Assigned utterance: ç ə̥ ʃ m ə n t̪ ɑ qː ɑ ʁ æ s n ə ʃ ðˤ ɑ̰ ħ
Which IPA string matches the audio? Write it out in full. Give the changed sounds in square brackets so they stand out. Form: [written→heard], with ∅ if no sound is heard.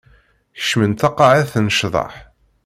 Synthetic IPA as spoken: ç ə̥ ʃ m ə n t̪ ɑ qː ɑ [ʁ→ʕ] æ [s→θ] n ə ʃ ðˤ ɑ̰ ħ